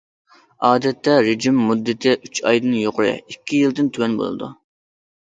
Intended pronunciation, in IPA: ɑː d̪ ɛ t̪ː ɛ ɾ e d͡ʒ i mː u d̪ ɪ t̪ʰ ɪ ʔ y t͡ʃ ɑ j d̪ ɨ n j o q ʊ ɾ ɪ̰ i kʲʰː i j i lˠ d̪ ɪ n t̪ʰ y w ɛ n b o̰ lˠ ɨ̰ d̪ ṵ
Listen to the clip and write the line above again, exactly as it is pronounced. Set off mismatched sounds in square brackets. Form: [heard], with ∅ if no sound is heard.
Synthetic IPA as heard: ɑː d̪ ɛ t̪ː ɛ ɾ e d͡ʒ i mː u [d̪ː] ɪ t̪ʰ ɪ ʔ y t͡ʃ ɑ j d̪ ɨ n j o q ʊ ɾ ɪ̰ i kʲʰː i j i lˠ d̪ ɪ n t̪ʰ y w ɛ n b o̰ lˠ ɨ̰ d̪ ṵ